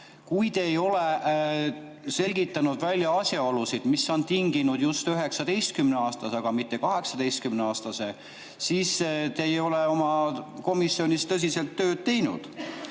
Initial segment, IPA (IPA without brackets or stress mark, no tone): k